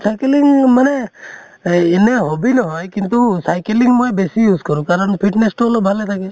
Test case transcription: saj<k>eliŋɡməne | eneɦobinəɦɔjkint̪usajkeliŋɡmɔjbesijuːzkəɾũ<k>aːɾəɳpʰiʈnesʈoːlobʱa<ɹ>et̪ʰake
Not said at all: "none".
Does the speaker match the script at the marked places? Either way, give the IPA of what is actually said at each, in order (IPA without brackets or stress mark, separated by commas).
k, k, l